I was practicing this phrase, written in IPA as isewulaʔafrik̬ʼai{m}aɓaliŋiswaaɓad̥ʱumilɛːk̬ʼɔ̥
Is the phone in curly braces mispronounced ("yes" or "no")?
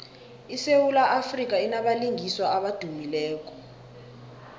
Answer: yes